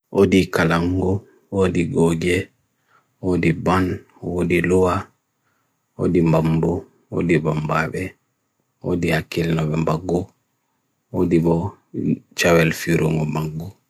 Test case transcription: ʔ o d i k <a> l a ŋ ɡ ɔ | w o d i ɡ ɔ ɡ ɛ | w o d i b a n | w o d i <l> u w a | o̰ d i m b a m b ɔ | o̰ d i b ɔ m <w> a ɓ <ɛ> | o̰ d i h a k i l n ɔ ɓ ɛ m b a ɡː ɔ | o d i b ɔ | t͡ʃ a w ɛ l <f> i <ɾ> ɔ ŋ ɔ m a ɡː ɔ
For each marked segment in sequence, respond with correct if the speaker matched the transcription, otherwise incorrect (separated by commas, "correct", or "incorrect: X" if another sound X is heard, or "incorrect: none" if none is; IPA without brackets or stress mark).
correct, correct, incorrect: b, correct, correct, correct